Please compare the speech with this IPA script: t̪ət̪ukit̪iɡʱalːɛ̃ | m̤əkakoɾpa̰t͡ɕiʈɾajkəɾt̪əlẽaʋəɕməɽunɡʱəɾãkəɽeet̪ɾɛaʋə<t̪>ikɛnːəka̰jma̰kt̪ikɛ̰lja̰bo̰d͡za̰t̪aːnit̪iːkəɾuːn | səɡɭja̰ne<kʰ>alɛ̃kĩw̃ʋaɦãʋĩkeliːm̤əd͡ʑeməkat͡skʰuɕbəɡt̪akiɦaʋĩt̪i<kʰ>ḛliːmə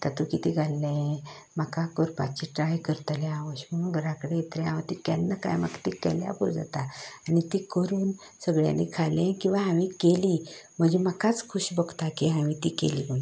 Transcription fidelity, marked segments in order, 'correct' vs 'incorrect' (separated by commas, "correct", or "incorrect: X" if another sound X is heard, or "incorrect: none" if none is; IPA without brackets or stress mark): correct, correct, incorrect: k